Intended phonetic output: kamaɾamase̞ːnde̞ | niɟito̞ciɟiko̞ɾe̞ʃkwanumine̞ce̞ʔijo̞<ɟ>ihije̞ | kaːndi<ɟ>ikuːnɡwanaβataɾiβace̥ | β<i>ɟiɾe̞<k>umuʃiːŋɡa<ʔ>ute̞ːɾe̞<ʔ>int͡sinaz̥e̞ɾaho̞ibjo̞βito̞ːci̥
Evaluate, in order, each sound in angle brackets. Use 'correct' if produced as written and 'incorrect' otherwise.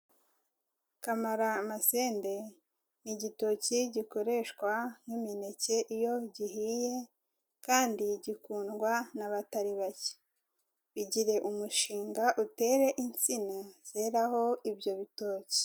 correct, correct, correct, incorrect: ʔ, correct, correct

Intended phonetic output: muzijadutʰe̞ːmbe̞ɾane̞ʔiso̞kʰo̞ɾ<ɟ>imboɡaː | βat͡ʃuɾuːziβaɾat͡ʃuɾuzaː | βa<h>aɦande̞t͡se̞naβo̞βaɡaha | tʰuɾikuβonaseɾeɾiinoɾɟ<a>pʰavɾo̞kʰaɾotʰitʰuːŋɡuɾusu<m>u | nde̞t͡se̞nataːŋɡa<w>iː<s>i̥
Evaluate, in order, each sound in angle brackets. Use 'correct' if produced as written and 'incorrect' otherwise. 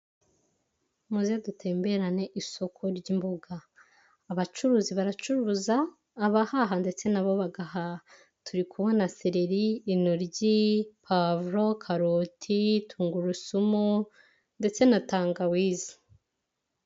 correct, correct, incorrect: i, correct, correct, incorrect: z

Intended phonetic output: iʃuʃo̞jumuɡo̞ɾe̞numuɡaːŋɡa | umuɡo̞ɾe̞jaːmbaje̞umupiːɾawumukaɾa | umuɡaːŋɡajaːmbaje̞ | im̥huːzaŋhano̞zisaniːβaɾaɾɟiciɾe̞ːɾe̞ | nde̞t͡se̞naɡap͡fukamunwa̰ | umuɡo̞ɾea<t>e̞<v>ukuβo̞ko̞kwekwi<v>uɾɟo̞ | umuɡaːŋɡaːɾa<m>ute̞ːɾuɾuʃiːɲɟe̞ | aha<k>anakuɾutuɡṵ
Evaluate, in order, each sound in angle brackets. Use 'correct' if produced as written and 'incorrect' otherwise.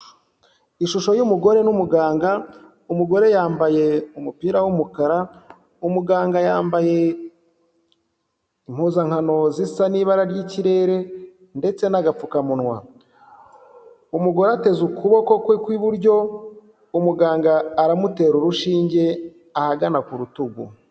correct, incorrect: z, incorrect: β, correct, incorrect: ɡ

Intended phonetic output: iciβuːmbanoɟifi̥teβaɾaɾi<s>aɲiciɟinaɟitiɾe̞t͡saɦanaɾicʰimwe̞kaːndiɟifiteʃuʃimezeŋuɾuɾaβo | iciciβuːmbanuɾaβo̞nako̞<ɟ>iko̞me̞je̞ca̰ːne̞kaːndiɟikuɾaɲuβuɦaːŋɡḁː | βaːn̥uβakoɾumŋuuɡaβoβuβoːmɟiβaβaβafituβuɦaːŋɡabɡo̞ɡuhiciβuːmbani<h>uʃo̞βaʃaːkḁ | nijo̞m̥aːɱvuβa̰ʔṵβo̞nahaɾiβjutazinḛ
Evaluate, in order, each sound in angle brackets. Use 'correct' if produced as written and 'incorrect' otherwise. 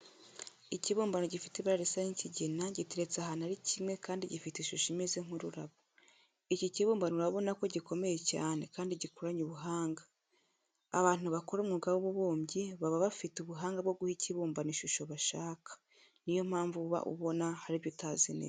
correct, correct, incorrect: ʃ

